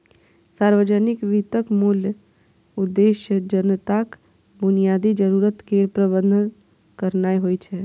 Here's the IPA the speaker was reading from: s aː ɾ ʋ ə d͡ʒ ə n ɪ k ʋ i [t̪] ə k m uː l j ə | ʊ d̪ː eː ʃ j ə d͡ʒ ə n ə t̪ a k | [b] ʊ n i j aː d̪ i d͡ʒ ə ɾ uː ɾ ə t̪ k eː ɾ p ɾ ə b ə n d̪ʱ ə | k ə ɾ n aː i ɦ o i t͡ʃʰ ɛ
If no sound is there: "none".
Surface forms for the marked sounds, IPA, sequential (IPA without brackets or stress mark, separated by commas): t̪, b